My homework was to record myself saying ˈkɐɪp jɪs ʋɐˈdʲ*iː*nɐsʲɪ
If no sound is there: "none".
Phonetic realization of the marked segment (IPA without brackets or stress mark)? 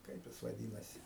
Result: iː